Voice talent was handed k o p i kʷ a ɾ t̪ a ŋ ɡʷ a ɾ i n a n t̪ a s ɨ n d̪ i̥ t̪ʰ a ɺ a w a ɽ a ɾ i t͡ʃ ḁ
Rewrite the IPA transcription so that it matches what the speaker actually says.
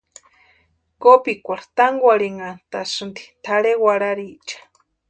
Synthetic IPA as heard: k o p i kʷ a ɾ t̪ a ŋ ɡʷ a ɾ i ŋ a n t̪ a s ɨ n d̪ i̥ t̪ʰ a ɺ e w a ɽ a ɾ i t͡ʃ ḁ